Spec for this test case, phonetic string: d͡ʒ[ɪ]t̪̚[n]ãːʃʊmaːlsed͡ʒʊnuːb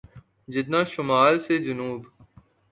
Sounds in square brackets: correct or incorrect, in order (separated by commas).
correct, correct